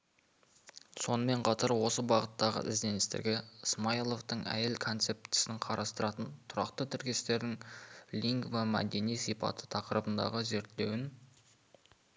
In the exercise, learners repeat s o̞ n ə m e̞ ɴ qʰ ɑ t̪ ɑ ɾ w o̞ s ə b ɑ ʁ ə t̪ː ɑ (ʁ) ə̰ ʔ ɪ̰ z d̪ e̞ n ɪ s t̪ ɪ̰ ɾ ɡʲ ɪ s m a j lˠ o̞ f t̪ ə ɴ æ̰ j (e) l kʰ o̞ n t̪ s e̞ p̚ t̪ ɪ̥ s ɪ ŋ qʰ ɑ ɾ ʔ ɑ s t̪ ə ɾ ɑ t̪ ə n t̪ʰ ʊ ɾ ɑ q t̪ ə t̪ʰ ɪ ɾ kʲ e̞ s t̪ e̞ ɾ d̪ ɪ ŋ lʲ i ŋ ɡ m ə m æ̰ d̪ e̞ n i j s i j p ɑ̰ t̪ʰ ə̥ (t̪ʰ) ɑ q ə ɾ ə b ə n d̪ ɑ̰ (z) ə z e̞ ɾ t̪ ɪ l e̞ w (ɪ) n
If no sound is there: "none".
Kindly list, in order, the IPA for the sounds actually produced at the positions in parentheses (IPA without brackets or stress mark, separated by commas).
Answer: ʁ, e, t̪ʰ, ʁ, ɪ